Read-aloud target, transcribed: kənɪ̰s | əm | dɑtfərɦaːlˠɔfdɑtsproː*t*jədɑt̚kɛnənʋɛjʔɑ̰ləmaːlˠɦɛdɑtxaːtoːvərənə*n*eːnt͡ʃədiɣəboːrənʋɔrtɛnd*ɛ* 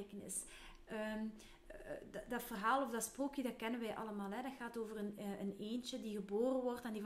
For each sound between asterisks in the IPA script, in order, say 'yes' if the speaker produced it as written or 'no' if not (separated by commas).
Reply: no, yes, no